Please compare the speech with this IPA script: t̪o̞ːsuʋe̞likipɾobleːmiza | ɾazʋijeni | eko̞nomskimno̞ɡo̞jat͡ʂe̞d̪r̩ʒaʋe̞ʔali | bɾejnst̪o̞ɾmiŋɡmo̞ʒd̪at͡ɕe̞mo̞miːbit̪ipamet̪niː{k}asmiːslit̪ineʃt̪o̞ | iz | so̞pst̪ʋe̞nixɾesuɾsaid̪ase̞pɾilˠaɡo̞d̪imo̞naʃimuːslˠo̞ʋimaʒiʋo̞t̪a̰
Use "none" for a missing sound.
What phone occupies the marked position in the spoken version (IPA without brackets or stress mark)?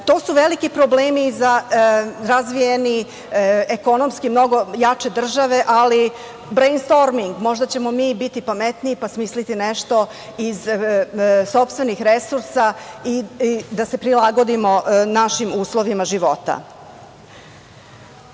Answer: p